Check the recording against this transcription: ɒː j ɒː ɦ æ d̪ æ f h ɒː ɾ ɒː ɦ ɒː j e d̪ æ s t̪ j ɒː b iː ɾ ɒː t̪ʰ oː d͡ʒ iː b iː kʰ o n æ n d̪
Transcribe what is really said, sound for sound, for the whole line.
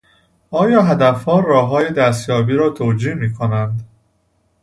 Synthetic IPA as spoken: ɒː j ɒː ɦ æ d̪ æ f h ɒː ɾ ɒː ɦ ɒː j e d̪ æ s t̪ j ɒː b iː ɾ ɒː t̪ʰ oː d͡ʒ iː m iː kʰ o n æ n d̪